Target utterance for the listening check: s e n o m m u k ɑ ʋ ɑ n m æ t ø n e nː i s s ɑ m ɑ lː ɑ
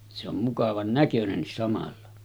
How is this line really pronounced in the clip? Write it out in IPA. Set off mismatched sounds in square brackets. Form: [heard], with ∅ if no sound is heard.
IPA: s e [∅] o m m u k ɑ ʋ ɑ n [n] æ [k] ø n e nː i s s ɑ m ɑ lː ɑ